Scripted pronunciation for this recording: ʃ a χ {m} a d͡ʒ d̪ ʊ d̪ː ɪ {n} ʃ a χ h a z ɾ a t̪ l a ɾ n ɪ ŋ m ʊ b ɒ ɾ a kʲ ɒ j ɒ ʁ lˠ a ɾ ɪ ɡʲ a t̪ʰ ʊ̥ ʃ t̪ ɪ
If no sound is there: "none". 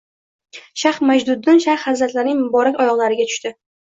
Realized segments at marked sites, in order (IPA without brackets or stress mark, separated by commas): m, n